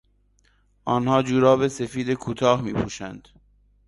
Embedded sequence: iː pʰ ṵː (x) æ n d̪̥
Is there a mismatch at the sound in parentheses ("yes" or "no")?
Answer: yes